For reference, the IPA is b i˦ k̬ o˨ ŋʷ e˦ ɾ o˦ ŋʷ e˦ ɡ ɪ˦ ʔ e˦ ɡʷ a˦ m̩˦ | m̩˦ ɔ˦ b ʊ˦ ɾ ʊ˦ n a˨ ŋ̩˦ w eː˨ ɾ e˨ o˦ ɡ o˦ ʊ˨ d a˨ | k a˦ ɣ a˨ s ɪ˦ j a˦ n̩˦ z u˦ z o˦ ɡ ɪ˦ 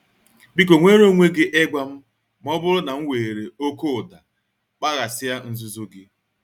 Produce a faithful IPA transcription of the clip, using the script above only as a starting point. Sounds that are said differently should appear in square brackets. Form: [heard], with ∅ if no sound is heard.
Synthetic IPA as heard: b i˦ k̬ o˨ ŋʷ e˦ ɾ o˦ ŋʷ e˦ ɡ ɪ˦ ʔ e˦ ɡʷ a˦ m̩˦ | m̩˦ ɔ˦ b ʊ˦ ɾ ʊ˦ n a˨ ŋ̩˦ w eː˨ ɾ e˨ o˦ [k] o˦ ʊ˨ d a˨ | [k͡p] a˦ ɣ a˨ s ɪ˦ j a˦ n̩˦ z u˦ z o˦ ɡ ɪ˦